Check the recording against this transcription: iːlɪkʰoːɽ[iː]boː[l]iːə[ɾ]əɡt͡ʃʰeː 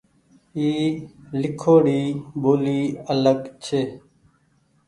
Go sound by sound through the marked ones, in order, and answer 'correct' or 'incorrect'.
correct, correct, incorrect: l

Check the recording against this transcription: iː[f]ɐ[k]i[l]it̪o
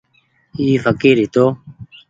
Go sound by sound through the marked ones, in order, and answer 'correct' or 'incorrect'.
correct, correct, incorrect: ɾ

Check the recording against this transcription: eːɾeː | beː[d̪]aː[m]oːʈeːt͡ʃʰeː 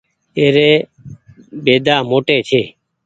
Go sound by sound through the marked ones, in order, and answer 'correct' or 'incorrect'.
correct, correct

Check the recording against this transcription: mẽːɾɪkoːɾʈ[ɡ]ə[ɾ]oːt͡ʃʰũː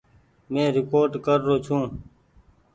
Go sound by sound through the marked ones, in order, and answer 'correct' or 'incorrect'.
incorrect: k, incorrect: ɾː

